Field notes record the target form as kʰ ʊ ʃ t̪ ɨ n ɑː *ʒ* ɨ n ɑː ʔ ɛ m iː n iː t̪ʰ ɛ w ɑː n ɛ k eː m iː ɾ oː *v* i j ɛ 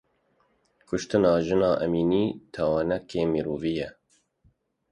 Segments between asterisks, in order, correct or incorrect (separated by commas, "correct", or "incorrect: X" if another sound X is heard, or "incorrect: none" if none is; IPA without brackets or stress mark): correct, correct